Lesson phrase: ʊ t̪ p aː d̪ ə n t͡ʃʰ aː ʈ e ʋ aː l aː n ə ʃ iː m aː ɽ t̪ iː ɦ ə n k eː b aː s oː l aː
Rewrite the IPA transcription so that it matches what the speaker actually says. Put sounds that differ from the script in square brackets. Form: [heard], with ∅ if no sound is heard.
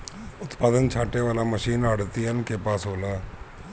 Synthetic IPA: ʊ t̪ p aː d̪ ə n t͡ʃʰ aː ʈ e ʋ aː l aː [m] ə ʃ iː [n] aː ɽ t̪ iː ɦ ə n k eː [p] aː s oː l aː